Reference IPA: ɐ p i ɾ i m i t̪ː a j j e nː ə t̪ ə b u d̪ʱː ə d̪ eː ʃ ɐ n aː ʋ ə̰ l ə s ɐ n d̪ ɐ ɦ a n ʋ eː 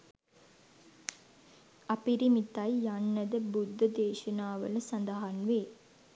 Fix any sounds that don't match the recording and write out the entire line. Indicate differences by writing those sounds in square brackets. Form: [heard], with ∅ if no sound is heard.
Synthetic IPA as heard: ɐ p i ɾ i m i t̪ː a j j [a] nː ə [d̪] ə b u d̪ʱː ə d̪ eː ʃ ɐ n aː ʋ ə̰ l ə s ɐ n d̪ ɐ ɦ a n ʋ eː